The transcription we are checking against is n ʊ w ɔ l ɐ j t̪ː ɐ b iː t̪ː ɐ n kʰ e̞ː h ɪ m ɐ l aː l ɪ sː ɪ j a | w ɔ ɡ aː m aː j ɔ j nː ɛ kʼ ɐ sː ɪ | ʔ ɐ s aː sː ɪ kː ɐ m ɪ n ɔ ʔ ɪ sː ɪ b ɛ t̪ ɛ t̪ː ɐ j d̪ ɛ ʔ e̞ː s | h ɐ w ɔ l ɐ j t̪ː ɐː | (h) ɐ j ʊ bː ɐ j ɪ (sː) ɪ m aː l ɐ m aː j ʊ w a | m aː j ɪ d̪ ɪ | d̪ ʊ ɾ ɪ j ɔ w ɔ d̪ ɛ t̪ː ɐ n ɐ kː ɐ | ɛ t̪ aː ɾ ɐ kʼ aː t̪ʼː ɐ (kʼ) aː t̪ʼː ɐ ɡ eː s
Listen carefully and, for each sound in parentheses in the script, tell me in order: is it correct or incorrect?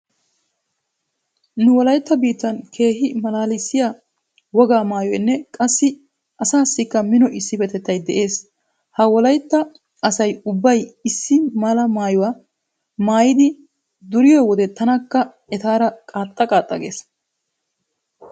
incorrect: s, correct, correct

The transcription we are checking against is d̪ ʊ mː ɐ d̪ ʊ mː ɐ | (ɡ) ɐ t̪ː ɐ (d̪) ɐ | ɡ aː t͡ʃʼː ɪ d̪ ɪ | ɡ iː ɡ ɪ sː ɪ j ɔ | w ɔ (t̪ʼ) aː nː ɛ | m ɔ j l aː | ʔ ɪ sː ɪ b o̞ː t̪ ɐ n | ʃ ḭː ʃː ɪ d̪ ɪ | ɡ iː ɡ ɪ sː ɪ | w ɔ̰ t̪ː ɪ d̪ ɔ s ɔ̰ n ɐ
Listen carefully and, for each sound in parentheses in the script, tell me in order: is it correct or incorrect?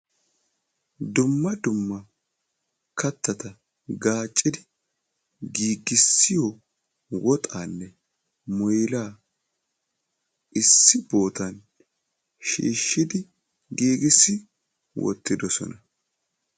incorrect: k, incorrect: t̪, correct

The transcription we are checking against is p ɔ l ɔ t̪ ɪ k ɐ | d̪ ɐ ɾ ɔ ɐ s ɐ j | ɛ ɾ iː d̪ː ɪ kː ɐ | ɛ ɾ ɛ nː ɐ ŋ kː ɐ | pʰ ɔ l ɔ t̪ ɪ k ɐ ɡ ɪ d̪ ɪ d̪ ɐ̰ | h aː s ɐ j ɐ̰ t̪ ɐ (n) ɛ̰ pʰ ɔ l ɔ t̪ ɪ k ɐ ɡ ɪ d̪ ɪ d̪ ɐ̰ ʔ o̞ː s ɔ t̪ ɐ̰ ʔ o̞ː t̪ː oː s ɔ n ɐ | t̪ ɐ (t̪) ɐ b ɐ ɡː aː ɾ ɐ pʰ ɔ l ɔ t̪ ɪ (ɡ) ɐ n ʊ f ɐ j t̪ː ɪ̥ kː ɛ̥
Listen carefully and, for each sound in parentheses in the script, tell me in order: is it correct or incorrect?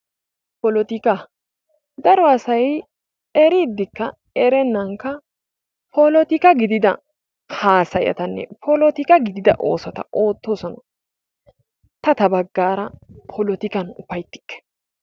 incorrect: nː, correct, incorrect: k

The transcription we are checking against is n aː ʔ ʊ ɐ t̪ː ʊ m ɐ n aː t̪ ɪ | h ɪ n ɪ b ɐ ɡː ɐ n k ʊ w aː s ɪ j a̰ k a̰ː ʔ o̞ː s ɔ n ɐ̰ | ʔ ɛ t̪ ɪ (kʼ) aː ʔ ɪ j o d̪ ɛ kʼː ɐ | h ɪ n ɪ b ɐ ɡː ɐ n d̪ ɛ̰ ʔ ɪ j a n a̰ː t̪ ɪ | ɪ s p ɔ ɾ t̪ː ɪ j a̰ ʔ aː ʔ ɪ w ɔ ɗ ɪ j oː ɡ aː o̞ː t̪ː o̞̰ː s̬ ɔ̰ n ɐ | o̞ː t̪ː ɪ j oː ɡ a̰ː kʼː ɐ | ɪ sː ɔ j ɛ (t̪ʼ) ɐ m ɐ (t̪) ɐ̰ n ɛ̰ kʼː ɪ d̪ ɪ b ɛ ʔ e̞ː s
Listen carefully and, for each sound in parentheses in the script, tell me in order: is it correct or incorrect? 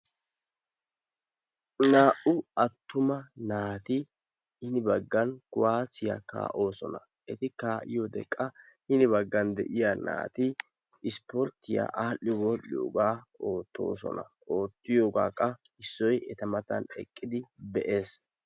incorrect: k, incorrect: t̪, correct

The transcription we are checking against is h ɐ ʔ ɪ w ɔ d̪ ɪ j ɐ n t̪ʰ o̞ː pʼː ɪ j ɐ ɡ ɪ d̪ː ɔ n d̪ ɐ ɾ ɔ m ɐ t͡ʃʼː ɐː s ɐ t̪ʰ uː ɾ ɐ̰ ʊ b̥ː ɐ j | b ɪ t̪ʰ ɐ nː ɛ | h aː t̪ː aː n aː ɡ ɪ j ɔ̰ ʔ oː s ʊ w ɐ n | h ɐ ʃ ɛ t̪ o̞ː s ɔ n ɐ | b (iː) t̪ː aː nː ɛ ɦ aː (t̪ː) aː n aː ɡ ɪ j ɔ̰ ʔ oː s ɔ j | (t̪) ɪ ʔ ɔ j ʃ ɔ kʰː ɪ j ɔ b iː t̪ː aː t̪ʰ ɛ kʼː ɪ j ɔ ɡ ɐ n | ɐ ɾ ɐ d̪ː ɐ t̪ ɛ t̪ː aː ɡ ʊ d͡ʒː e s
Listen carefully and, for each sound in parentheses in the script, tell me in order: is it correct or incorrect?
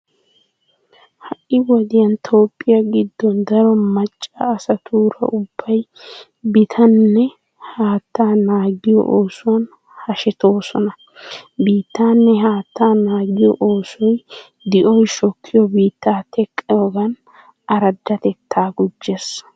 correct, correct, incorrect: d̪

